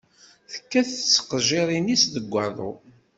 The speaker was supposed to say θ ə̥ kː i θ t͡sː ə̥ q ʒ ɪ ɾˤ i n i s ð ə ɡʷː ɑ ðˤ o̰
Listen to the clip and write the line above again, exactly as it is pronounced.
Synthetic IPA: θ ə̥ kː æ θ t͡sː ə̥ q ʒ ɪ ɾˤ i n i s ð ə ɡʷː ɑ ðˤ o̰